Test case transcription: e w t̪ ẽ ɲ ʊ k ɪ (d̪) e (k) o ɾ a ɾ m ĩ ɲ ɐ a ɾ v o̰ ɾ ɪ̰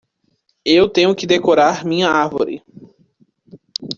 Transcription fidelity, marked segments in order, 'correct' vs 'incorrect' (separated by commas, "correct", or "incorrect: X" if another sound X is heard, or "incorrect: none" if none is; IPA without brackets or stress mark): correct, correct